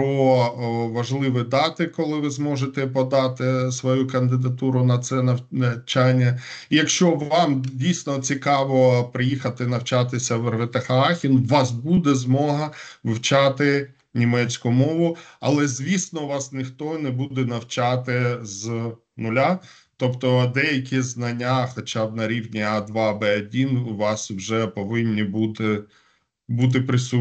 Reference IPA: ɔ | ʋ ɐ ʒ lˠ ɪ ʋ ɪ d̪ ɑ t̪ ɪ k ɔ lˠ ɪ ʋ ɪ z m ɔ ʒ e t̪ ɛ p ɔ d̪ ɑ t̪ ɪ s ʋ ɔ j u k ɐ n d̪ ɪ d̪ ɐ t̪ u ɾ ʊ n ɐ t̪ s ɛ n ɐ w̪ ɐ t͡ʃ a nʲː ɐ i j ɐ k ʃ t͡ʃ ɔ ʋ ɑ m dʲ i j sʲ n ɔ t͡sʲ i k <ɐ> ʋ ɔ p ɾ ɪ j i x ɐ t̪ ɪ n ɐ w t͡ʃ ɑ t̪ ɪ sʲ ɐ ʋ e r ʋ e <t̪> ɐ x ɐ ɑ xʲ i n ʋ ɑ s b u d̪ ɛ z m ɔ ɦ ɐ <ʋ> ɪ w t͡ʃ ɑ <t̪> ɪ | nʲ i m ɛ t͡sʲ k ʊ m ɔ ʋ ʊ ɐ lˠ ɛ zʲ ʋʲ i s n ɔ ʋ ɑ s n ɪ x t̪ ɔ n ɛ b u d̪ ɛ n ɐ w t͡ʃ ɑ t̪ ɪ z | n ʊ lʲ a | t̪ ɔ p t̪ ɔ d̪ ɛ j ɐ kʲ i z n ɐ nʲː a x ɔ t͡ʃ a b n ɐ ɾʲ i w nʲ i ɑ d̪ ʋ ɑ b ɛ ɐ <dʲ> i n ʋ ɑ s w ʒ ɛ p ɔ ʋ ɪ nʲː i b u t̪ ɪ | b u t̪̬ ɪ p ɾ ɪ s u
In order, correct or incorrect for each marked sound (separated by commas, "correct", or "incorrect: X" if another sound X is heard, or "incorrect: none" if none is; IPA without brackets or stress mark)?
incorrect: ɑ, correct, correct, correct, correct